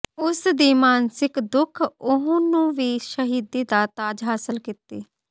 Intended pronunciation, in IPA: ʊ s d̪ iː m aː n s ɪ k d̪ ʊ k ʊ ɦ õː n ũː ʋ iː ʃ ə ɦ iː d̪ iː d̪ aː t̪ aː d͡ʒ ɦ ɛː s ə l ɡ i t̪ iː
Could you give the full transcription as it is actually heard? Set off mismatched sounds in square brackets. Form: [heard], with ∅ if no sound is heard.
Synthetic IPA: ʊ s d̪ iː m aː n s ɪ k d̪ ʊ [kʰ] ʊ ɦ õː n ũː ʋ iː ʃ ə ɦ iː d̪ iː d̪ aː t̪ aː d͡ʒ ɦ [aː] s ə l [k] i t̪ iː